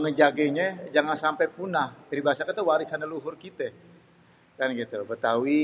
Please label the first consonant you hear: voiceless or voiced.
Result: voiced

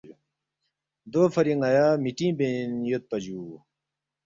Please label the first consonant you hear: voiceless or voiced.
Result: voiced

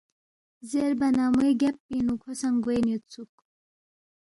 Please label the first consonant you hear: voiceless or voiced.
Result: voiced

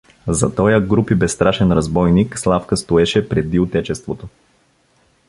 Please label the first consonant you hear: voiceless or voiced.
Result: voiced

